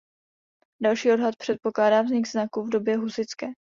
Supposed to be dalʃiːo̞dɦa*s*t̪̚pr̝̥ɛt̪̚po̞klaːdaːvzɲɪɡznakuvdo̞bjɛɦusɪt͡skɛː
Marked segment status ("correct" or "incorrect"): incorrect